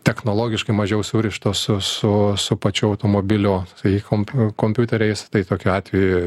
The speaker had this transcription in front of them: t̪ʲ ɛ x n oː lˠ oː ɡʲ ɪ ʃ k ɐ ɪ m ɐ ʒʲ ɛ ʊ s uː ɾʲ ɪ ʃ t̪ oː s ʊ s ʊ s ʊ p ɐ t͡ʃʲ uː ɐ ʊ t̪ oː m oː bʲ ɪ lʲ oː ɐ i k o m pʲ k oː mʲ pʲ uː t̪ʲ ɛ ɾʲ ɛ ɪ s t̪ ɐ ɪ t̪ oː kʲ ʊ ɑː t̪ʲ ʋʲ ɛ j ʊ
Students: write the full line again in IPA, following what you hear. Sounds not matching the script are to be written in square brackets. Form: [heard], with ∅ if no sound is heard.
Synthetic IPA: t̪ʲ ɛ x n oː lˠ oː ɡʲ ɪ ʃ k ɐ ɪ m ɐ ʒʲ ɛ ʊ s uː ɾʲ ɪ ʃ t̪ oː s ʊ s ʊ s ʊ p ɐ t͡ʃʲ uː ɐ ʊ t̪ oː m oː bʲ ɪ lʲ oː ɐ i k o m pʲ k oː mʲ pʲ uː t̪ʲ ɛ ɾʲ ɛ ɪ s t̪ ɐ ɪ t̪ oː kʲ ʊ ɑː t̪ʲ ʋʲ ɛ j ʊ